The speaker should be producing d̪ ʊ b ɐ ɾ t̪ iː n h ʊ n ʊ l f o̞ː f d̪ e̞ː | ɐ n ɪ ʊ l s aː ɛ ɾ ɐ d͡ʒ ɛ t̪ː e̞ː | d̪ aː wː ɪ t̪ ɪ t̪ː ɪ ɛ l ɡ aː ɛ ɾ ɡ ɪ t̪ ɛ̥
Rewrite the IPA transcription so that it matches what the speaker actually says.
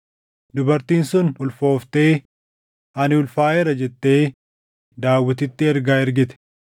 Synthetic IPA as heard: d̪ ʊ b ɐ ɾ t̪ iː n s ʊ n ʊ l f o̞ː f t̪ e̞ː | ɐ n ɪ ʊ l f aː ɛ ɾ ɐ d͡ʒ ɛ t̪ː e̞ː | d̪ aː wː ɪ t̪ ɪ t̪ː ɪ ɛ ɾ ɡ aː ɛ ɾ ɡ ɪ t̪ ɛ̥